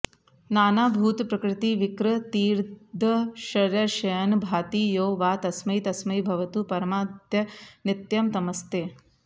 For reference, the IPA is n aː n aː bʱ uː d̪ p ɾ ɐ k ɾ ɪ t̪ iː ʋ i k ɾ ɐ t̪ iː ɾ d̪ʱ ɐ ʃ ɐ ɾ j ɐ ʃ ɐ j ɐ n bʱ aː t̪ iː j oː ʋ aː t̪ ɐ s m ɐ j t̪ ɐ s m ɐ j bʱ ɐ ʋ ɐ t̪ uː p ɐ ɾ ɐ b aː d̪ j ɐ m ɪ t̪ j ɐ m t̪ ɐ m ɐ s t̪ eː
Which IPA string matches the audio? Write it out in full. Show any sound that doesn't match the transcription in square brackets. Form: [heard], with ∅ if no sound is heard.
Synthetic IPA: n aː n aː bʱ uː [t̪] p ɾ ɐ k ɾ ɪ t̪ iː ʋ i k ɾ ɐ t̪ iː ɾ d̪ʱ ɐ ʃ ɐ ɾ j ɐ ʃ ɐ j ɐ n bʱ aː t̪ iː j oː ʋ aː t̪ ɐ s m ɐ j t̪ ɐ s m ɐ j bʱ ɐ ʋ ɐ t̪ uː p ɐ ɾ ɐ [m] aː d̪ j ɐ [n] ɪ t̪ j ɐ m t̪ ɐ m ɐ s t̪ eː